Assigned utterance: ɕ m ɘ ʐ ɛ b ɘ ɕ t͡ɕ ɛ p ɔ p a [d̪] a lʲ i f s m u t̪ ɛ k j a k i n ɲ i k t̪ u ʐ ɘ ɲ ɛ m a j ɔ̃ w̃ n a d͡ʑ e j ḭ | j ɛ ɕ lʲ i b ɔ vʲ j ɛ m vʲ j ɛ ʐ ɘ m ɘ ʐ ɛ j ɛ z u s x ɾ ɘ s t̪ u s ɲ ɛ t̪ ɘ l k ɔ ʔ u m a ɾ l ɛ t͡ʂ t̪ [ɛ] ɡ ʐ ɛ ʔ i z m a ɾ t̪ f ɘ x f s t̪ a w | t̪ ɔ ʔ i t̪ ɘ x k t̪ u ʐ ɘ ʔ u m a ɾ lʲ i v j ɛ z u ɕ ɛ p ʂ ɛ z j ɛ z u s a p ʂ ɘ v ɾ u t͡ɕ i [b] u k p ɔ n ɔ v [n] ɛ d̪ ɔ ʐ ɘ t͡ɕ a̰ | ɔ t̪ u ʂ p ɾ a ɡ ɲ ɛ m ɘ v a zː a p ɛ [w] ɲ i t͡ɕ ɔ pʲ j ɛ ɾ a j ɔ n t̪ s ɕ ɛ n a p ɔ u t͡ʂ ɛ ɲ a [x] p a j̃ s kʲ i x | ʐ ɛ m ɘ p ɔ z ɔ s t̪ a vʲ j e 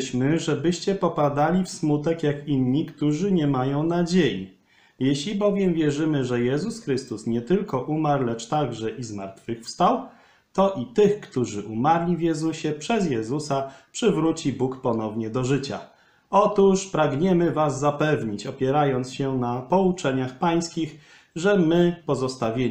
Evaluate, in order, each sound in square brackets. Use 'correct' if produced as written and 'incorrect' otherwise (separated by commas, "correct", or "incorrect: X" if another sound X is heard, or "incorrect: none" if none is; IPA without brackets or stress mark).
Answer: correct, incorrect: a, correct, incorrect: ɲ, incorrect: v, correct